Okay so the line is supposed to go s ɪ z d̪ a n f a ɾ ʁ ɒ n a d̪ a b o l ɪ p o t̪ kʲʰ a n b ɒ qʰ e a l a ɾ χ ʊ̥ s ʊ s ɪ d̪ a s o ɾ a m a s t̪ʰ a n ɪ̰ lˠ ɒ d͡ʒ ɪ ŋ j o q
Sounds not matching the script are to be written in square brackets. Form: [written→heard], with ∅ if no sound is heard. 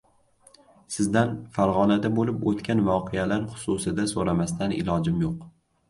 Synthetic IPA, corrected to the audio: s ɪ z d̪ a n f a ɾ ʁ ɒ n a d̪ a b o l ɪ p o t̪ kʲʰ a n [b→v] ɒ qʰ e a l a ɾ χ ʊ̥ s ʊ s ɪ d̪ a s o ɾ a m a s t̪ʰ a n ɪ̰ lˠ ɒ d͡ʒ ɪ [ŋ→m] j o q